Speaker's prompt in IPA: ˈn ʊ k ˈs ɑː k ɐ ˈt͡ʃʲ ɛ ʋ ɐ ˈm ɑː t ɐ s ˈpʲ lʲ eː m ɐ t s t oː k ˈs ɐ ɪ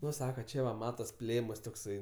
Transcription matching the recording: ˈn ʊ ˈs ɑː k ɐ ˈt͡ʃʲ ɛ ʋ ɐ ˈm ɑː t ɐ s ˈpʲ lʲ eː m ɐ s t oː k ˈs ɐ ɪ